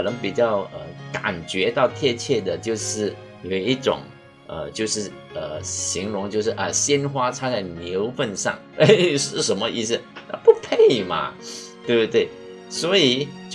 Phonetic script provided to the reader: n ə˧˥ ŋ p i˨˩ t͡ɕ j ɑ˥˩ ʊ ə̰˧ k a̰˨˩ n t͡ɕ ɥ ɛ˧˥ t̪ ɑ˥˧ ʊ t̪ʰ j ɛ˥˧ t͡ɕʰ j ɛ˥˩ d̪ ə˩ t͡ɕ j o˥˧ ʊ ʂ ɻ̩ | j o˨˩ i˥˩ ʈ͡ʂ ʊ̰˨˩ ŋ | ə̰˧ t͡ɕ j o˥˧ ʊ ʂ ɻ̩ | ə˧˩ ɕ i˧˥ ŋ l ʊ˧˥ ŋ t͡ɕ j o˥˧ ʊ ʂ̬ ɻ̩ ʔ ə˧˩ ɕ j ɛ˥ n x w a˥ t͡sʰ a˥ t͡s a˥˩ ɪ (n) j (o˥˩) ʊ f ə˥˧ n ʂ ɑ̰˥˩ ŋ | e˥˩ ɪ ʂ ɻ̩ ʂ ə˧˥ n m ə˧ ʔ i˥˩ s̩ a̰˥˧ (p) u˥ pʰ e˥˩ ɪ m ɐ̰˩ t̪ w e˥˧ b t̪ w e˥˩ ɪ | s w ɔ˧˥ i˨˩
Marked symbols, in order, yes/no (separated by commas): yes, no, yes